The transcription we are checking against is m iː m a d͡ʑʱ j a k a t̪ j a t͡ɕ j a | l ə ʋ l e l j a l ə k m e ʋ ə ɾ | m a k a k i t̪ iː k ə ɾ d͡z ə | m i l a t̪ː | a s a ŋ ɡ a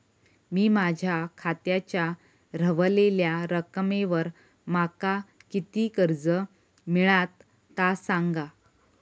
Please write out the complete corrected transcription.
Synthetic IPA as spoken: m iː m a d͡ʑʱ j a kʰ a t̪ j a t͡ɕ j a | ɾ ə ʋ l e l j a ɾ ə k m e ʋ ə ɾ | m a k a k i t̪ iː k ə ɾ d͡z ə | m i ɭ a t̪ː | a s a ŋ ɡ a